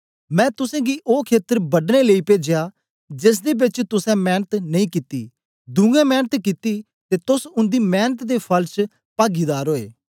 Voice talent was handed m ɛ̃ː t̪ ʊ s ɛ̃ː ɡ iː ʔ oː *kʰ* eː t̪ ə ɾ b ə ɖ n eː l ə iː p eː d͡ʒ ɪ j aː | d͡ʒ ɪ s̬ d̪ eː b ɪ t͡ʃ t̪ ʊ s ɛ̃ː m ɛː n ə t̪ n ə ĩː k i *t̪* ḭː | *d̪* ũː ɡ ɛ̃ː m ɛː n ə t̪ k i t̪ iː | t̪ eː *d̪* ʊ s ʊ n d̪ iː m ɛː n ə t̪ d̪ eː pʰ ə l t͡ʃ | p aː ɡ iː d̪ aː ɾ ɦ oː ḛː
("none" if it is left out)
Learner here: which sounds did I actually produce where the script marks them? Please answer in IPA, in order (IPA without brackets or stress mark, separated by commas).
kʰ, t̪, d̪, t̪